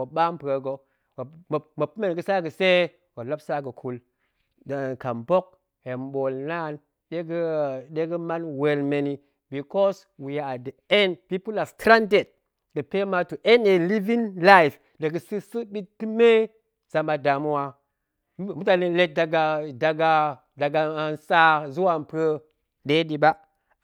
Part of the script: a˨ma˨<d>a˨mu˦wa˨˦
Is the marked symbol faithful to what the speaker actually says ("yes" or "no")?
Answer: yes